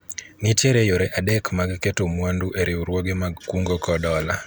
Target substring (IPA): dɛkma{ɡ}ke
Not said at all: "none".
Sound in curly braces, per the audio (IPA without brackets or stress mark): ɡ